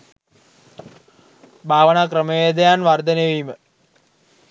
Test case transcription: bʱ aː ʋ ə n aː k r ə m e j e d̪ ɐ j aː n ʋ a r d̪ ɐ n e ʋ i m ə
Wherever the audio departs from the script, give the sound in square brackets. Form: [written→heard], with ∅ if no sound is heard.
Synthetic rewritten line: bʱ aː ʋ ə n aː k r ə m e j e d̪ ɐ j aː n ʋ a r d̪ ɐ n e ʋ i m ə